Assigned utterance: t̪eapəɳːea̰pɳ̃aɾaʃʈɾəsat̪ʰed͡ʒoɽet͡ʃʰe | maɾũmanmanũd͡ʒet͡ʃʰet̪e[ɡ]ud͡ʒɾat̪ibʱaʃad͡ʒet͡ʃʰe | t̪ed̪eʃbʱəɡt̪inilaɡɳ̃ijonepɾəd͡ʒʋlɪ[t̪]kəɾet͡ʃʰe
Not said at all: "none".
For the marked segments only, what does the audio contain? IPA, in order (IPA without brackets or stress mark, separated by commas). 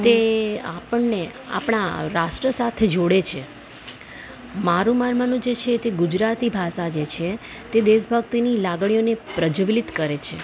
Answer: ɡ, t̪